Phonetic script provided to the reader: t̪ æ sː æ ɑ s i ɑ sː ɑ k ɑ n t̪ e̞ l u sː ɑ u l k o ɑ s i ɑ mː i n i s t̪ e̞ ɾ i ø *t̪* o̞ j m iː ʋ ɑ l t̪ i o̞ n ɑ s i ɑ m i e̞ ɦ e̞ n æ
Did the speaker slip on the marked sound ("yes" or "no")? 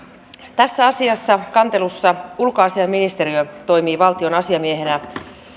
no